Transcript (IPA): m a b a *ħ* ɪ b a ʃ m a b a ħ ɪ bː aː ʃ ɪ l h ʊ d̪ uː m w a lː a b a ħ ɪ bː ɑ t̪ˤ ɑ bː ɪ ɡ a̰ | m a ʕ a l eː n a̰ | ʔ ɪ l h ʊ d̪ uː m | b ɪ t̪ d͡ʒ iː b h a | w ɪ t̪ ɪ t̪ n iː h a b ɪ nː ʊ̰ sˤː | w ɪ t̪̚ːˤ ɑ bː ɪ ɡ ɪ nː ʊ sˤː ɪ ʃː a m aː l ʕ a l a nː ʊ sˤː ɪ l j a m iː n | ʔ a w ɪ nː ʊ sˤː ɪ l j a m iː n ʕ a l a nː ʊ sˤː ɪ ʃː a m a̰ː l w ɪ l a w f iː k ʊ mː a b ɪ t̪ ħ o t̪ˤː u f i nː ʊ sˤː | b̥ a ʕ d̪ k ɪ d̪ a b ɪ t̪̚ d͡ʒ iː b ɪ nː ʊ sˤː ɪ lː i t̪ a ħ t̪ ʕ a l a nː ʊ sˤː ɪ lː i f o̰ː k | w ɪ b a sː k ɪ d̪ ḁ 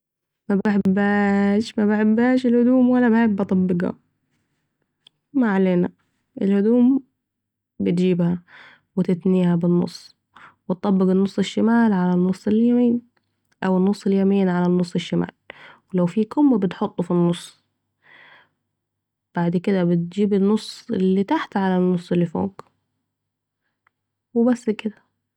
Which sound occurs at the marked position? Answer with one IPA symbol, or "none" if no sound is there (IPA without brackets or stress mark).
ħ